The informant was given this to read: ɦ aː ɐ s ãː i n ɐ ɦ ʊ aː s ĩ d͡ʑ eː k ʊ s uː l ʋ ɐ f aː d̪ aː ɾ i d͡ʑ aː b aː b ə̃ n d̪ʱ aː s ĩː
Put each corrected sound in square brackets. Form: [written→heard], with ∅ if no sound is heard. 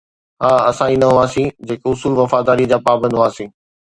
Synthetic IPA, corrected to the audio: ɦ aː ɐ s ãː i n ɐ ɦ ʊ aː s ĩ d͡ʑ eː k ʊ s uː l ʋ ɐ f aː d̪ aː ɾ i d͡ʑ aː [b→p] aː b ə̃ n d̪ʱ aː s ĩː